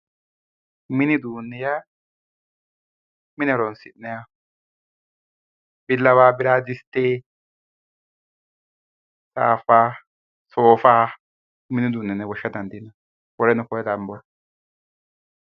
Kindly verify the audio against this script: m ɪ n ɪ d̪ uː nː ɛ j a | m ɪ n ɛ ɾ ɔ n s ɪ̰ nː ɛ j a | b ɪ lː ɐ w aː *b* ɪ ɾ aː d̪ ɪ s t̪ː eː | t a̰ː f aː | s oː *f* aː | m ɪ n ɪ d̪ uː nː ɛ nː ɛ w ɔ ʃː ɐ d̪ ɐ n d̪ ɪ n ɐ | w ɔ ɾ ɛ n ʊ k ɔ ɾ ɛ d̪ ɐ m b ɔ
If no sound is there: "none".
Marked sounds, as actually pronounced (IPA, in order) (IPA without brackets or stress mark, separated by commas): b, f